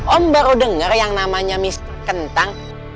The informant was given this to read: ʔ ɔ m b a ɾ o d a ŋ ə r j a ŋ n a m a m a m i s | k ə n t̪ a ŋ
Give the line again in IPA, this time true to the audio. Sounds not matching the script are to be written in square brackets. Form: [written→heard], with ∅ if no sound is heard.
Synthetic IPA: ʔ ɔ m b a ɾ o d [a→ə] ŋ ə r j a ŋ n a m a [m→ɲ] a m i s | k ə n t̪ a ŋ